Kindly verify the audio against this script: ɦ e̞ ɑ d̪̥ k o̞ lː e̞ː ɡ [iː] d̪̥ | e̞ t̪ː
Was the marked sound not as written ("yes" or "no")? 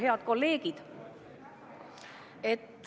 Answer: yes